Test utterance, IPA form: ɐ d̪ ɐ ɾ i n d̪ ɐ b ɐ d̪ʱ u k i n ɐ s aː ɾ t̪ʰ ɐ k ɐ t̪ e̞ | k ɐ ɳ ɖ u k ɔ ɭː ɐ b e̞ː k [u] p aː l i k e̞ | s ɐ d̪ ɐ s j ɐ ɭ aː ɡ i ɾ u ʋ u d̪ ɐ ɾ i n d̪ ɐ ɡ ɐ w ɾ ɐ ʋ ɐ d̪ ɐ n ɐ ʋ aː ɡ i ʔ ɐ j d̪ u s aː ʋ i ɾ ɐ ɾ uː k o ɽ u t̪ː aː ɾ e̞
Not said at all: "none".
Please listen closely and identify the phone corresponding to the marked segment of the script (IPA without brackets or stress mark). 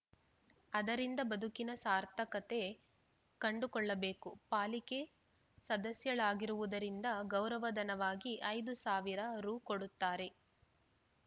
u